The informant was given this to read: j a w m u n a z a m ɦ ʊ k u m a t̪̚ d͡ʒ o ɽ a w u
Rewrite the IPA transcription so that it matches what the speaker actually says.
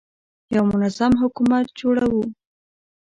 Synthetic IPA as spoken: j a w m ʊ n a z a m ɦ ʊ k u m a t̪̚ d͡ʒ o ɽ a w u